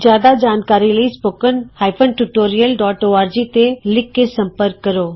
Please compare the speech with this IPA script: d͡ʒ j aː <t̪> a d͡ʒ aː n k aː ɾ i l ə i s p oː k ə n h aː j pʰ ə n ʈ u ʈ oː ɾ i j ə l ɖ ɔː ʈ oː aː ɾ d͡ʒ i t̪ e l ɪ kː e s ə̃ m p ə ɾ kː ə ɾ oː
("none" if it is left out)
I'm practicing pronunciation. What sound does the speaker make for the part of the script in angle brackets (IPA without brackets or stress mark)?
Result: d̪